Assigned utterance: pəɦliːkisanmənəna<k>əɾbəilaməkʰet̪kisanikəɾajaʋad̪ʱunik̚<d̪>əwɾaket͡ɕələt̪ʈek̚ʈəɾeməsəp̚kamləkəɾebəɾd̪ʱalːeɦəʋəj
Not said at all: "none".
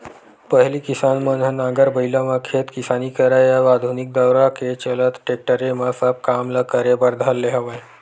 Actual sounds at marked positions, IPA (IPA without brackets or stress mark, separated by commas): ɡ, d̪